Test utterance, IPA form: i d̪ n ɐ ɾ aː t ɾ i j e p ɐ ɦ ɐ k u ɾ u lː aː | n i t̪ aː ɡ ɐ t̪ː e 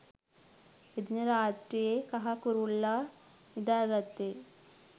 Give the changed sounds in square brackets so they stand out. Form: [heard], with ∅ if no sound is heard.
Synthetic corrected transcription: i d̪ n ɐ ɾ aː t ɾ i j e [k] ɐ ɦ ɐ k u ɾ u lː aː | n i [d̪] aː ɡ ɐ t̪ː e